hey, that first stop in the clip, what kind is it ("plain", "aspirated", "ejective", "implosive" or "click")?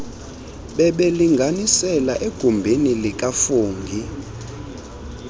implosive